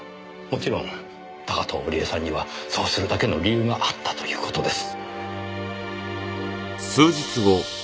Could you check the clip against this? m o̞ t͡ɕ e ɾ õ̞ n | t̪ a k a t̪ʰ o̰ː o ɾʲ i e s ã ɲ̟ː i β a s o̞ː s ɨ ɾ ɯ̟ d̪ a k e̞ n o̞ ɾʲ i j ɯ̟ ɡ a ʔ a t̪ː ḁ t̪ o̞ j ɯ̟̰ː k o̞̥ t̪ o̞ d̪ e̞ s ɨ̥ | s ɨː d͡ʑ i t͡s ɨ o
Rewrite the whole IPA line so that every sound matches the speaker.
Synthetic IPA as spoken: m o̞ t͡ɕ i ɾ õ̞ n | t̪ a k a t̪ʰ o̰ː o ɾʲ i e s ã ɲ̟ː i β a s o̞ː s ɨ ɾ ɯ̟ d̪ a k e̞ n o̞ ɾʲ i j ɯ̟ː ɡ a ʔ a t̪ː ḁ t̪ o̞ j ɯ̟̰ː k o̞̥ t̪ o̞ d̪ e̞ s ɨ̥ | s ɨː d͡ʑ i t͡s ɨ o

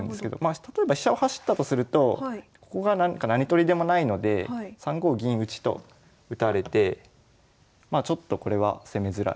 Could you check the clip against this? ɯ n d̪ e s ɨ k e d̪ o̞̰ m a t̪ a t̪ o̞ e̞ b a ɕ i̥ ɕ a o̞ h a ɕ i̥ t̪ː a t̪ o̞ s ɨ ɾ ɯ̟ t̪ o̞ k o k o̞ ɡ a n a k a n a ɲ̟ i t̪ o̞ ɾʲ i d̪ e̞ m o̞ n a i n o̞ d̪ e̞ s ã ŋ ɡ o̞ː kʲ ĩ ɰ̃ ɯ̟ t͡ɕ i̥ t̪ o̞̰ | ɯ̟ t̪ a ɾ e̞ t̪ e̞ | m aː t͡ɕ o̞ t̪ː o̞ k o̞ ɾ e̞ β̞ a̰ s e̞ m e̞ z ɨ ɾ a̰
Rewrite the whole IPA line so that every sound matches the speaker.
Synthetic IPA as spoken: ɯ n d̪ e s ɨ k e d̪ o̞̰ m a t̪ a t̪ o̞ e̞ b a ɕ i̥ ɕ a o̞ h a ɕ i̥ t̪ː a t̪ o̞ s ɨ ɾ ɯ̟ t̪ o̞ k o k o̞ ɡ a n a k a n a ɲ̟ i t̪ o̞ ɾʲ i d̪ e̞ m o̞ n a i n o̞ d̪ e̞ s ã ŋ ɡ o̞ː ɡʲ ĩ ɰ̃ ɯ̟ t͡ɕ i̥ t̪ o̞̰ | ɯ̟ t̪ a ɾ e̞ t̪ e̞ | m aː t͡ɕ o̞ t̪ː o̞ k o̞ ɾ e̞ β̞ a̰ s e̞ m e̞ z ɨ ɾ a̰

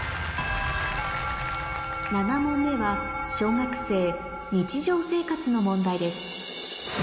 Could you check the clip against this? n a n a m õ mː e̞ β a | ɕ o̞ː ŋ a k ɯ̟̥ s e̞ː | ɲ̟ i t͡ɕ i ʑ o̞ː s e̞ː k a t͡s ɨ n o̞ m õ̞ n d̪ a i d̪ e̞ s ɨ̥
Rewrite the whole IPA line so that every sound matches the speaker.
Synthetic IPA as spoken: n a n a m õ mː e̞ β a | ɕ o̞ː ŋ a k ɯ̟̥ s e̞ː | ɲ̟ i t͡ɕ i ʑ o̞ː s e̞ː k a t͡s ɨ n o̞ m õ̞ n d̪ a i d̪ e̞ s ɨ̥

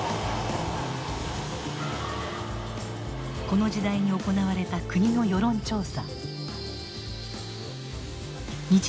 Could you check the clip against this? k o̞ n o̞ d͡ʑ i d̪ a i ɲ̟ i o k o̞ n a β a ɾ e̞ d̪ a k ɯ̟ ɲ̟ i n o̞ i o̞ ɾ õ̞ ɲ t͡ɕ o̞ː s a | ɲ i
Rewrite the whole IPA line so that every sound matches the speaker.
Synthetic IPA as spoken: k o̞ n o̞ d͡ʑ i d̪ a i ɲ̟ i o k o̞ n a β a ɾ e̞ t̪ a k ɯ̟ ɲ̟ i n o̞ j o̞ ɾ õ̞ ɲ t͡ɕ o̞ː s a | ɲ i

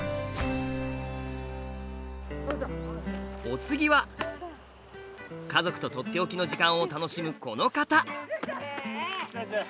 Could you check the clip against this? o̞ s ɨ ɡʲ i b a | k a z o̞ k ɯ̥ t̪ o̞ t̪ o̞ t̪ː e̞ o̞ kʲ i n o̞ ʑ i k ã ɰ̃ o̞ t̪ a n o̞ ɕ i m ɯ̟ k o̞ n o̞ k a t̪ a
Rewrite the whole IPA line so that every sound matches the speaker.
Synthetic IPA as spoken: o̞ t͡s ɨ ɡʲ i β a | k a z o̞ k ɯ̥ t̪ o̞ t̪ o̞ t̪ː e̞ o̞ kʲ i n o̞ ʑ i k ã ɰ̃ o̞ t̪ a n o̞ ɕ i m ɯ̟ k o̞ n o̞ k a t̪ a

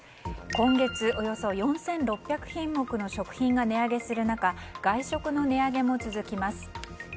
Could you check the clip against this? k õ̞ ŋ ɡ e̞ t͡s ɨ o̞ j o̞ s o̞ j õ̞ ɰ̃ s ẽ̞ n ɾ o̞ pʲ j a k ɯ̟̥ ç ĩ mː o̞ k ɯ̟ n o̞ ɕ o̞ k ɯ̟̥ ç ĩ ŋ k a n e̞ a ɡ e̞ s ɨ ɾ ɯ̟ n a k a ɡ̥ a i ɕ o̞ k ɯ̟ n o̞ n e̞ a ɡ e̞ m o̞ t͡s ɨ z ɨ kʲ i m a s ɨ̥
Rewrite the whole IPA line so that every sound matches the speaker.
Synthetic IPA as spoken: k õ̞ ŋ ɡ e̞ t͡s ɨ o̞ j o̞ s o̞ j õ̞ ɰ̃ s ẽ̞ n ɾ o̞ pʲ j a k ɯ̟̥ ç ĩ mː o̞ k ɯ̟ n o̞ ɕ o̞ k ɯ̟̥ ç ĩ ŋ ɡ a n e̞ a ɡ e̞ s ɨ ɾ ɯ̟ n a k a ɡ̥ a i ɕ o̞ k ɯ̟ n o̞ n e̞ a ɡ e̞ m o̞ t͡s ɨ z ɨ kʲ i m a s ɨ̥

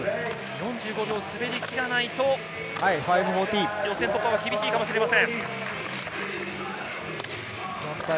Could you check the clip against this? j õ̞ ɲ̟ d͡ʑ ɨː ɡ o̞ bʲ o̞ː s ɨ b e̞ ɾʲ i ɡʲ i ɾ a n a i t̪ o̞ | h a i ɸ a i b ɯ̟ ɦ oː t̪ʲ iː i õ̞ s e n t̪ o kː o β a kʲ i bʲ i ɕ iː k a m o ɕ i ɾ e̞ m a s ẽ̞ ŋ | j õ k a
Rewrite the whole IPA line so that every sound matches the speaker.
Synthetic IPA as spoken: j õ̞ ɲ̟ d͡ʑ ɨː ɡ o̞ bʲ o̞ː s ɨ b e̞ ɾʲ i kʲ i ɾ a n a i t̪ o̞ | h a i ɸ a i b ɯ̟ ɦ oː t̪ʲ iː j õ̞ s e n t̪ o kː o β a kʲ i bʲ i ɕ iː k a m o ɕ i ɾ e̞ m a s ẽ̞ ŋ | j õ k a

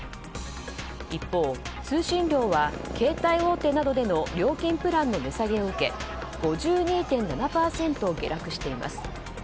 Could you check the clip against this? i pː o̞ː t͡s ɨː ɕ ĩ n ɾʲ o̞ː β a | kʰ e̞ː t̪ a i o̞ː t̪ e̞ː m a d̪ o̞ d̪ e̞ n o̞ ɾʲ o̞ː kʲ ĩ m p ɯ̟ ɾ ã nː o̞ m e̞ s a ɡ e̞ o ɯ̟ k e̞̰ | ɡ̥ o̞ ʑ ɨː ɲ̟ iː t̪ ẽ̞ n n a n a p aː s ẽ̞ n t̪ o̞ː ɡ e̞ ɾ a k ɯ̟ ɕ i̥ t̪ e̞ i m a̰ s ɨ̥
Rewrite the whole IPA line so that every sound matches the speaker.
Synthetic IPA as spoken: i pː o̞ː t͡s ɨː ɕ ĩ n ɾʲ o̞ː β a | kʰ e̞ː t̪ a i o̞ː t̪ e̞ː n a d̪ o̞ d̪ e̞ n o̞ ɾʲ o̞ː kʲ ĩ m p ɯ̟ ɾ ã nː o̞ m e̞ s a ɡ e̞ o ɯ̟ k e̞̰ | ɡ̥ o̞ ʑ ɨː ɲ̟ iː t̪ ẽ̞ n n a n a p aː s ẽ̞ n t̪ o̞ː ɡ e̞ ɾ a k ɯ̟ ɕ i̥ t̪ e̞ i m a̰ s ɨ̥

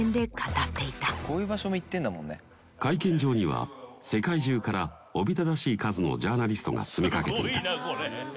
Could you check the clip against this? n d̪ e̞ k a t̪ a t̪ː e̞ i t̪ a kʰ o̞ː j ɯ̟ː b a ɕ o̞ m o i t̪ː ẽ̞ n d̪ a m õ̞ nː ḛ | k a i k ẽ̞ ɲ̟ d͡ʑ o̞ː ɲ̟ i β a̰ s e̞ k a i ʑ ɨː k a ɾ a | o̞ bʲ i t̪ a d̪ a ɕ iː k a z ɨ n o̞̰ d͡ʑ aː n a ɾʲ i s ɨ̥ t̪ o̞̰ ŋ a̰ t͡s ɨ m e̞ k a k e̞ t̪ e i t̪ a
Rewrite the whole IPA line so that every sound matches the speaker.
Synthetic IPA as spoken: n d̪ e̞ k a t̪ a t̪ː e̞ i t̪ a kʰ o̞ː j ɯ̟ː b a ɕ o̞ m o i t̪ː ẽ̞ n d̪ a m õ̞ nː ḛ | k a i k ẽ̞ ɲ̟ d͡ʑ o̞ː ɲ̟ i β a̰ s e̞ k a i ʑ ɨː k a ɾ a | o̞ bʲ i t̪ a d̪ a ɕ iː k a z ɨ n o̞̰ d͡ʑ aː n a ɾʲ i s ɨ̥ t̪ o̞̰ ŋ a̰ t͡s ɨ m e̞ k a k e̞ t̪ e i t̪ a

